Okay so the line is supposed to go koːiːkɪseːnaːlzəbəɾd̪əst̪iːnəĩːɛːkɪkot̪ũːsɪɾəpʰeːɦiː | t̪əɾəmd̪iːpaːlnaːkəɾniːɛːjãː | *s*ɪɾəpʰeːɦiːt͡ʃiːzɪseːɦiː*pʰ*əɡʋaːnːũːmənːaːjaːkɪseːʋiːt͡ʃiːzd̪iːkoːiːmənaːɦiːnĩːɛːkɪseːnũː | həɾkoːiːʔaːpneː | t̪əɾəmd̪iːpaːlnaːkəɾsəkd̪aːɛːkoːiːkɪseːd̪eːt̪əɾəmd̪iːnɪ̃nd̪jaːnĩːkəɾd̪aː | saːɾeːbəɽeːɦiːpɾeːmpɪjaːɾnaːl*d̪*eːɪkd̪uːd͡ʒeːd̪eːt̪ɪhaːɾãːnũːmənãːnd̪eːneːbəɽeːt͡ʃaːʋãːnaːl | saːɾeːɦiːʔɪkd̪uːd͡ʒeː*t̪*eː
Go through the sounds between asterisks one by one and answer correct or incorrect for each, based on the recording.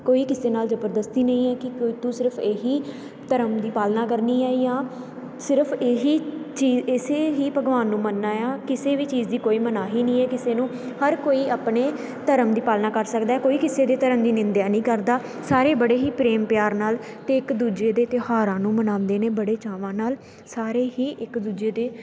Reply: correct, incorrect, incorrect, incorrect

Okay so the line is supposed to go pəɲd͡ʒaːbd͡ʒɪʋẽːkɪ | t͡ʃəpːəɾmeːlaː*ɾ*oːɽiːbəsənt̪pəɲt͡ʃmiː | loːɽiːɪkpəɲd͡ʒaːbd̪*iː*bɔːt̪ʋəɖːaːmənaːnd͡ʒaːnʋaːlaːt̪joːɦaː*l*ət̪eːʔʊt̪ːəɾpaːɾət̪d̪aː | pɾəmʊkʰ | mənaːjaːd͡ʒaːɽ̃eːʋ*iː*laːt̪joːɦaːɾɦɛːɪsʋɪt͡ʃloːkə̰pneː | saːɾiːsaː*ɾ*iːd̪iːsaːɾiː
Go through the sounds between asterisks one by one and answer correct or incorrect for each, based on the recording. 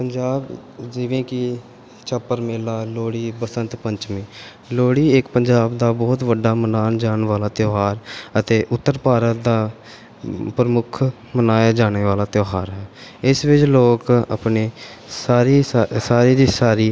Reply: incorrect, incorrect, incorrect, incorrect, correct

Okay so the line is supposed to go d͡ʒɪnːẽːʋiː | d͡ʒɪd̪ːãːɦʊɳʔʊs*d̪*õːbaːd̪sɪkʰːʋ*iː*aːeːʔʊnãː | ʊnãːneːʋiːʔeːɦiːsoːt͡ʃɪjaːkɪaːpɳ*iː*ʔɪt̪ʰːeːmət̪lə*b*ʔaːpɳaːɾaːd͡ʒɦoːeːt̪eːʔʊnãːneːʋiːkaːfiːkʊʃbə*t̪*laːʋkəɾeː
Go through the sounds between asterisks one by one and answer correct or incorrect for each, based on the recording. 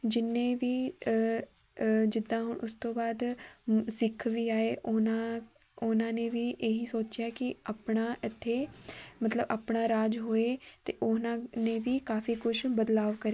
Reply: incorrect, correct, incorrect, correct, incorrect

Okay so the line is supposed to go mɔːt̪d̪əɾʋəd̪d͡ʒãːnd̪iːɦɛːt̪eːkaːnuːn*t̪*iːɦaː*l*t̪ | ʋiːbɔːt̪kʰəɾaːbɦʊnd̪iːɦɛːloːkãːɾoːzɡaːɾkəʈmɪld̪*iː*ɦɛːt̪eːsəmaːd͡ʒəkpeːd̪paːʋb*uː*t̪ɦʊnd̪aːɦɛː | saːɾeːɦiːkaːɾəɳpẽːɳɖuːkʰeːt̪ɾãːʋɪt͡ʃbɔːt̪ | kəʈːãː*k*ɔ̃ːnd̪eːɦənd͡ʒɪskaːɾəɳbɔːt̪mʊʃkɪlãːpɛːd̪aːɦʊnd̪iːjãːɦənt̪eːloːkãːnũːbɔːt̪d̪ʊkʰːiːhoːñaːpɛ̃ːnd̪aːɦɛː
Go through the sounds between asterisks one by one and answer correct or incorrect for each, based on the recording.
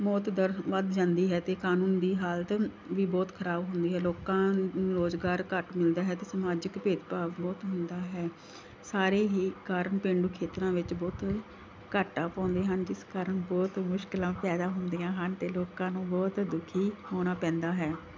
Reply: incorrect, correct, incorrect, incorrect, incorrect

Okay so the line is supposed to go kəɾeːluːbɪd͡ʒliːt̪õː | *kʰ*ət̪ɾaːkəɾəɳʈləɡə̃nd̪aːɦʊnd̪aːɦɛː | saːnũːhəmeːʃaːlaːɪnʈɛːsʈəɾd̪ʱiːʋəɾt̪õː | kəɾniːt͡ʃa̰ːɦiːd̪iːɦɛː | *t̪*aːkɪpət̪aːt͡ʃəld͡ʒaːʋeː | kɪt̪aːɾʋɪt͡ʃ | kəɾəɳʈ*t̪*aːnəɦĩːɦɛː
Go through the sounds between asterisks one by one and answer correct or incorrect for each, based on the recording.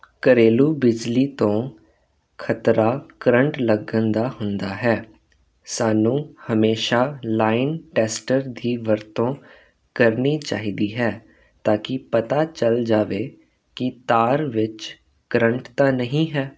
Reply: correct, correct, correct

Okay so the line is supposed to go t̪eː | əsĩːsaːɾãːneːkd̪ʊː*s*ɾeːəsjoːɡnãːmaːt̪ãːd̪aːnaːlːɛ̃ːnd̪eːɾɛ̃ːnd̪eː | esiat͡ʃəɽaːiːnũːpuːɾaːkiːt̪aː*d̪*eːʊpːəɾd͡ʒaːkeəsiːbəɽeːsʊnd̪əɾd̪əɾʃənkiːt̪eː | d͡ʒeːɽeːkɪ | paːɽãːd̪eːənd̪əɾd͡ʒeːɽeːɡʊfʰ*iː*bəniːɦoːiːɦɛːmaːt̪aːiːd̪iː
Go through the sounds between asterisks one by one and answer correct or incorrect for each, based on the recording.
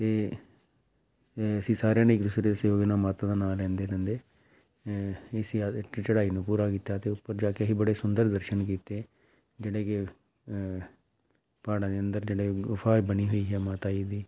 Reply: correct, incorrect, incorrect

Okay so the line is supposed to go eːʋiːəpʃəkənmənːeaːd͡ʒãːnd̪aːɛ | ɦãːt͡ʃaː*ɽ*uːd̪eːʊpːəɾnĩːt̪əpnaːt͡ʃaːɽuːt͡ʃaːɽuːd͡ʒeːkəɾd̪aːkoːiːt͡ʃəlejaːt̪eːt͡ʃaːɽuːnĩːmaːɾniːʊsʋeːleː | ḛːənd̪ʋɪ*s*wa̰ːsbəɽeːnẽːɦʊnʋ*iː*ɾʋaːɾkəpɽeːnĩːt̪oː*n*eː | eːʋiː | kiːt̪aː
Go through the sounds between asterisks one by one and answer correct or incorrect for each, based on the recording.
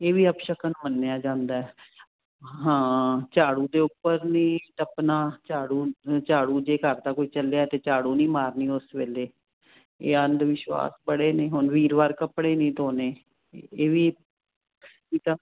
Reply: correct, incorrect, correct, correct

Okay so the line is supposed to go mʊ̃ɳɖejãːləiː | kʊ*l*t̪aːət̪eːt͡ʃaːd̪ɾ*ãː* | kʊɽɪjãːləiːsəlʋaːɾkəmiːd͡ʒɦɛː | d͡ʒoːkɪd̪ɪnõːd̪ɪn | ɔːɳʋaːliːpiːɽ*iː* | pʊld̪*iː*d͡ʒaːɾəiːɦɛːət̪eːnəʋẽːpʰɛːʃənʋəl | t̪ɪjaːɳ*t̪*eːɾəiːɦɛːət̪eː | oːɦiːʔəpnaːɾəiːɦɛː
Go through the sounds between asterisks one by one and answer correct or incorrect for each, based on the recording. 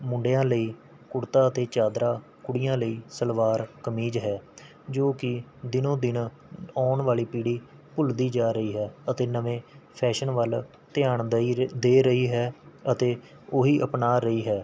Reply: incorrect, incorrect, correct, correct, incorrect

